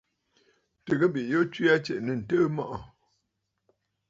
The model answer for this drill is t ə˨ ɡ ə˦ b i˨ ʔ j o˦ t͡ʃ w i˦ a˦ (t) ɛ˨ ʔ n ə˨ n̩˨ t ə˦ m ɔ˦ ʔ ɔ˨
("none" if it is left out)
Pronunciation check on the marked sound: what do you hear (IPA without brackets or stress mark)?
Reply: t͡ʃ